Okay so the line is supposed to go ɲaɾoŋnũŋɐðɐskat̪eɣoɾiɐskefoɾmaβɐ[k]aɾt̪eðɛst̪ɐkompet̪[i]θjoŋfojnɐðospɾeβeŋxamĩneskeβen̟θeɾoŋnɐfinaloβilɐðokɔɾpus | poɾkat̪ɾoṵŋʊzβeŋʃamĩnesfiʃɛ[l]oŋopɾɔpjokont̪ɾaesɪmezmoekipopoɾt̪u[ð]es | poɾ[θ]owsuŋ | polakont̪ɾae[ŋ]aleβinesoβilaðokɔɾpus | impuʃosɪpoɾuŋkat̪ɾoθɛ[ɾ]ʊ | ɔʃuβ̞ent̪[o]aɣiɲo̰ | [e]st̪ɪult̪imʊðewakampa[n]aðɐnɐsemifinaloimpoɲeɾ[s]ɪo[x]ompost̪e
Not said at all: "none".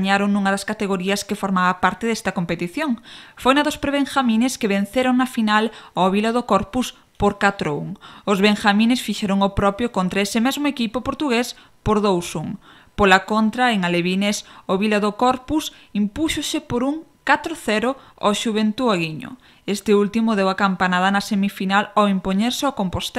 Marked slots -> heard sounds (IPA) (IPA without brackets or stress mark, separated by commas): p, i, ɾ, ɣ, ð, ŋ, ɾ, u, e, n, s, k